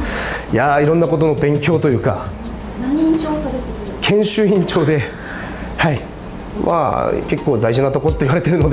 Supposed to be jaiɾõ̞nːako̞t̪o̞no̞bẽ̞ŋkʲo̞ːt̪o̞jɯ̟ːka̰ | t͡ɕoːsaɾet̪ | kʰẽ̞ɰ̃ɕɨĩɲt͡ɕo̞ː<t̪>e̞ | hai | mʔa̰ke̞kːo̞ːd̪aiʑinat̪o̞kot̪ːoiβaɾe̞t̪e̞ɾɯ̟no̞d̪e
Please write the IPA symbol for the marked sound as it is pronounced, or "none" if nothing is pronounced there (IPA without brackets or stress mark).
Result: d̪